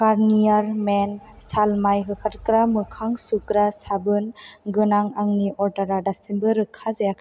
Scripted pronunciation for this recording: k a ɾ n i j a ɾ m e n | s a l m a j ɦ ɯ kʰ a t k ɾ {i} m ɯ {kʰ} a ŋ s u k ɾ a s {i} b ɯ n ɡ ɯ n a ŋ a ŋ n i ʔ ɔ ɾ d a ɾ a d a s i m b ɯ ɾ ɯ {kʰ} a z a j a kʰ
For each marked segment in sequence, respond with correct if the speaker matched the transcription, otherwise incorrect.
incorrect: a, correct, incorrect: a, correct

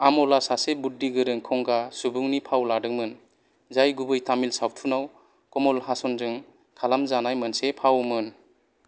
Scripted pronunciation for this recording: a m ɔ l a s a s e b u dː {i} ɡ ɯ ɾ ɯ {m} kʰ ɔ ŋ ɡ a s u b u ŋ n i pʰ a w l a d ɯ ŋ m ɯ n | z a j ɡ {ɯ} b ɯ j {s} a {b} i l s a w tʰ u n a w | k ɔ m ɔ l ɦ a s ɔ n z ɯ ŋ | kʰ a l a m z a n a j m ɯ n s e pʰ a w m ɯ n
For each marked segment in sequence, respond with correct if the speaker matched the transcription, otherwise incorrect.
correct, incorrect: ŋ, incorrect: u, incorrect: t, incorrect: m

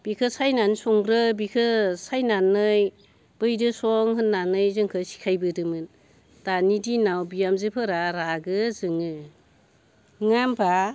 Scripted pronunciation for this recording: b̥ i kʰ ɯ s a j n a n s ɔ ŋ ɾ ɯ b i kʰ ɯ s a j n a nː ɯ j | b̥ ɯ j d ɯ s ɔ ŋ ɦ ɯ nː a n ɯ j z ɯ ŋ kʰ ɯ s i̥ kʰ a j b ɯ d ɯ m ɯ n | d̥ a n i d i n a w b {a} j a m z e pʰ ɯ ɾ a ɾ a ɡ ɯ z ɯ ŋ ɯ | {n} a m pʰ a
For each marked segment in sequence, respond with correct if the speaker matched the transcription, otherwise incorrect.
incorrect: i, incorrect: ŋ

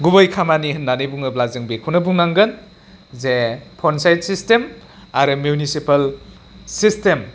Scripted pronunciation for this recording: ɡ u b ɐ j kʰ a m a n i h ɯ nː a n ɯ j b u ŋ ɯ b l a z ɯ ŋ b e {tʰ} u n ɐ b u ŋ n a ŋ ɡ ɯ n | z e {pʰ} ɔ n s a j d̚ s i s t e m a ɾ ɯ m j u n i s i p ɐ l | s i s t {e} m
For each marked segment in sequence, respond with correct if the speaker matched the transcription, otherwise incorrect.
incorrect: kʰ, correct, correct

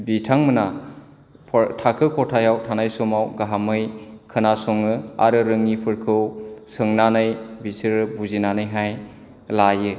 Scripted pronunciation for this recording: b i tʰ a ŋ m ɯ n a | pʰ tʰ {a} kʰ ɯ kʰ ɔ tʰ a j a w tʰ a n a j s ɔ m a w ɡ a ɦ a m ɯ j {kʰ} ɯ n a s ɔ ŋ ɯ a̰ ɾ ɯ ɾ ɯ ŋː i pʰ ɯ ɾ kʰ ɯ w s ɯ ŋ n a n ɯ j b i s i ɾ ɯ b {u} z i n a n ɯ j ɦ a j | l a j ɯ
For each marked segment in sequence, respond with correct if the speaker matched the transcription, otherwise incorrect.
correct, correct, correct

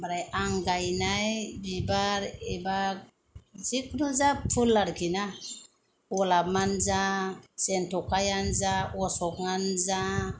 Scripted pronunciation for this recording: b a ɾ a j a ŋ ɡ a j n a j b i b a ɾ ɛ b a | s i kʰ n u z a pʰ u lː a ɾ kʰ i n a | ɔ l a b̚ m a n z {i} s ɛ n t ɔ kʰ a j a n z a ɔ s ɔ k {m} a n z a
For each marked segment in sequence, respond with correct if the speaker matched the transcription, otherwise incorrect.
incorrect: a, incorrect: ŋ

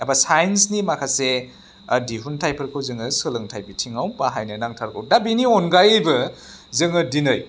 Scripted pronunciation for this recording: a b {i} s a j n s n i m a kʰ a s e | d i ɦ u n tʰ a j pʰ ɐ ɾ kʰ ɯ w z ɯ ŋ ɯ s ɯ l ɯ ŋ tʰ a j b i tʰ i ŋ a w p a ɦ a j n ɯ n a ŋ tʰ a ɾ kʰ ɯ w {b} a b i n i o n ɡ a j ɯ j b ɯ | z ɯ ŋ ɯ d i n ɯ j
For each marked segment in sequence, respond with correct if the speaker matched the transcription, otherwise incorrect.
incorrect: a, incorrect: d

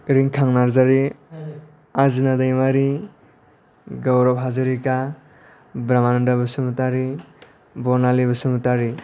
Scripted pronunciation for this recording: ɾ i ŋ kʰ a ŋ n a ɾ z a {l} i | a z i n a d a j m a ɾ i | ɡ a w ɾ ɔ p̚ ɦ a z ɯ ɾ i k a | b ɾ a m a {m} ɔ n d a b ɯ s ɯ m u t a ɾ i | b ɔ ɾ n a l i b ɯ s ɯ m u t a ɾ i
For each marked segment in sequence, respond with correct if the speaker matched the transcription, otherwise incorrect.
incorrect: ɾ, incorrect: n

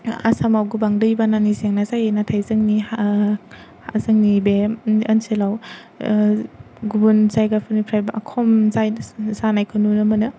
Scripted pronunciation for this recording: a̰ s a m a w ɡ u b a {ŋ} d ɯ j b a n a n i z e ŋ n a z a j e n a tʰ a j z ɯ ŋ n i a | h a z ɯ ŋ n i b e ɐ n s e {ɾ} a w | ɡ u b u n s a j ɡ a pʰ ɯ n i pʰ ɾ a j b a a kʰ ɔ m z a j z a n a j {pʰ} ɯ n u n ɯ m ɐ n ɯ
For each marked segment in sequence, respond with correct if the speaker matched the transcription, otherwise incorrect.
correct, incorrect: l, incorrect: kʰ

